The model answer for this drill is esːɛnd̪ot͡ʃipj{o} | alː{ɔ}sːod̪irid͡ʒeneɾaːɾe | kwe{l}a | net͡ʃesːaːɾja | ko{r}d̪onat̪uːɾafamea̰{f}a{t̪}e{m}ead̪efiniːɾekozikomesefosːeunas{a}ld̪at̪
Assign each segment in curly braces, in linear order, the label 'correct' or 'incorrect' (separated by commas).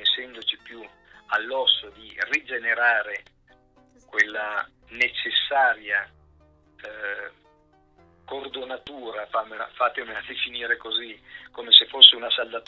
incorrect, correct, incorrect, correct, correct, correct, correct, correct